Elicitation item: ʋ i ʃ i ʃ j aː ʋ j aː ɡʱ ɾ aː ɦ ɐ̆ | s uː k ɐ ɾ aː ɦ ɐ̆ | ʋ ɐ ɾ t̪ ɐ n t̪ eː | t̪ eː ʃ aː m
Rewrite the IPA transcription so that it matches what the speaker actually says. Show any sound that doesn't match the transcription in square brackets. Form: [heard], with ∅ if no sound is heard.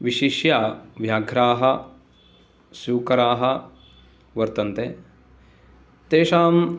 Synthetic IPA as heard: ʋ i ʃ i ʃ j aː ʋ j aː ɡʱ ɾ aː ɦ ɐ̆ | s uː k ɐ ɾ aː ɦ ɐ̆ | ʋ ɐ ɾ t̪ ɐ n t̪ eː | t̪ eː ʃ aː m